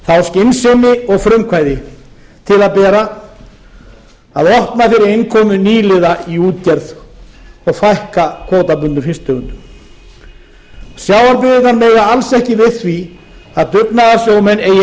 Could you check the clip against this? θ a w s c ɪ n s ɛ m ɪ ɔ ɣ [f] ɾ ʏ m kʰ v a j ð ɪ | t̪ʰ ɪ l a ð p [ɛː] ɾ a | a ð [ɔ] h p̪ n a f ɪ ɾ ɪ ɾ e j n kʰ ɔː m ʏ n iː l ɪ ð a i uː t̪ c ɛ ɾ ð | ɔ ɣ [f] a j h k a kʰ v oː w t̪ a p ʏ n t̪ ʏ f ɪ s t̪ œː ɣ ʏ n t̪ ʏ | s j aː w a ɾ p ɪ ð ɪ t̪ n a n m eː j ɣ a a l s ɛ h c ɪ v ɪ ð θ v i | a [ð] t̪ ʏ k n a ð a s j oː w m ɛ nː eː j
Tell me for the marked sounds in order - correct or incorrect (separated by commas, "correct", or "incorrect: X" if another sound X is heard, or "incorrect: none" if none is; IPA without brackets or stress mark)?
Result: correct, correct, correct, correct, correct